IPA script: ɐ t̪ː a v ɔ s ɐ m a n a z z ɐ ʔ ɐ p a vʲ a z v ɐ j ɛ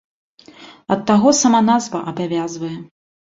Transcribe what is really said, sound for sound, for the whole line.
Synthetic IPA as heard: ɐ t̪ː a ɣ ɔ s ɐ m a n a z v ɐ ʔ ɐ b a vʲ a z v ɐ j ɛ